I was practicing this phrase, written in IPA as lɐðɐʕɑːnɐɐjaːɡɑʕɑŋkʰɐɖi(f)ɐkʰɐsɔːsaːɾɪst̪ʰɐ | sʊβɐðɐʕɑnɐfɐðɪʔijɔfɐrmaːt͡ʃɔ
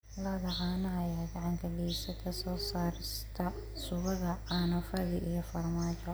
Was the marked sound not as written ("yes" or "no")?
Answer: yes